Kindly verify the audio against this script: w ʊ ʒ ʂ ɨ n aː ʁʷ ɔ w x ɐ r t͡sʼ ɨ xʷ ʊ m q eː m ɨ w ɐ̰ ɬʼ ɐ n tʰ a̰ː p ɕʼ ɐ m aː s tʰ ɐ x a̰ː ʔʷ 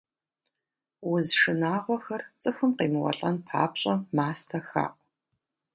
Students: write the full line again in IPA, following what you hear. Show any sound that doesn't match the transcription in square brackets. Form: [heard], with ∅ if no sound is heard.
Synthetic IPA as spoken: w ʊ [z] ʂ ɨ n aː ʁʷ ɔ [∅] x ɐ r t͡sʼ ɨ xʷ ʊ m q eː m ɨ w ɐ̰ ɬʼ ɐ n [pʰ] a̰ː p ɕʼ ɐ m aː s tʰ ɐ x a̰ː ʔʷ